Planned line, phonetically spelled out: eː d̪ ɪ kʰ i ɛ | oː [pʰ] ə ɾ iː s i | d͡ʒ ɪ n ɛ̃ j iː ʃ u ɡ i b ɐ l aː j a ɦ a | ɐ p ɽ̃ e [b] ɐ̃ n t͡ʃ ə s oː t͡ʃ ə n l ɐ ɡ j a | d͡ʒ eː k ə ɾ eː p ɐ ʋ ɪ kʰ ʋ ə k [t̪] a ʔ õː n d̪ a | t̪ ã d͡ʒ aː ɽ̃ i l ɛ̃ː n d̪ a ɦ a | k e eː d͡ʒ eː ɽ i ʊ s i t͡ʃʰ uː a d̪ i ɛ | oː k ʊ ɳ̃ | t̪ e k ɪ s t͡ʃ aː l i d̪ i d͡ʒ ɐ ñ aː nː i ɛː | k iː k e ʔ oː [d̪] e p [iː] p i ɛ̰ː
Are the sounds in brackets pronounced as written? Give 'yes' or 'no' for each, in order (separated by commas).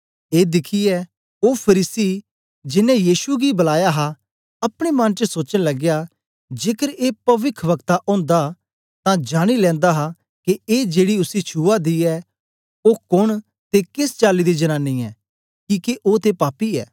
yes, no, yes, no, no